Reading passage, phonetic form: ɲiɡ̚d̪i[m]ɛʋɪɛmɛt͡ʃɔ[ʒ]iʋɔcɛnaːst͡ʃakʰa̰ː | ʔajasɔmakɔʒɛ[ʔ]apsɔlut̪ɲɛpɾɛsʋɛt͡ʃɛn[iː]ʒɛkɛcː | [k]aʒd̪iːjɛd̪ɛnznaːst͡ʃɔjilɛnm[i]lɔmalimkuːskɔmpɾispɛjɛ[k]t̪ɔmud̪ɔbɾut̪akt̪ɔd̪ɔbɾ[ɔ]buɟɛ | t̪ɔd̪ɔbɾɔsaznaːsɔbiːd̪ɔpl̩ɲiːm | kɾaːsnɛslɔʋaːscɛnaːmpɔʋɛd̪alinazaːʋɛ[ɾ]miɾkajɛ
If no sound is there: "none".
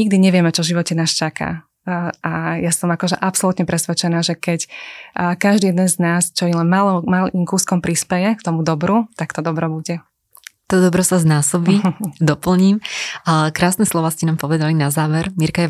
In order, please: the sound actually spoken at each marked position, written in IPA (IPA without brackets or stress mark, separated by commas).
ɲ, ʒ, ʔ, aː, k, a, k, ɔ, ɾ